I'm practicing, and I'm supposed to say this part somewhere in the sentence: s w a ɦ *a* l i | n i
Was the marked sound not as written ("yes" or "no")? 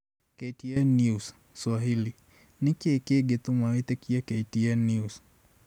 yes